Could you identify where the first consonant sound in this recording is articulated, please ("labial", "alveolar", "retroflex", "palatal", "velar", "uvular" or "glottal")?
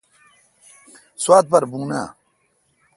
alveolar